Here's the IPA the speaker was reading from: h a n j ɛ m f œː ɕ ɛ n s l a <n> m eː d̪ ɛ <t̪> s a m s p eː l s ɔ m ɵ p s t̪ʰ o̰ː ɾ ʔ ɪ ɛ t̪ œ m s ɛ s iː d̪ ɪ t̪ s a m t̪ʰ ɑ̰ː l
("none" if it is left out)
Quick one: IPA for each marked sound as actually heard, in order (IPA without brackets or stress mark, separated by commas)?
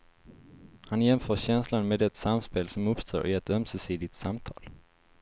n, t̪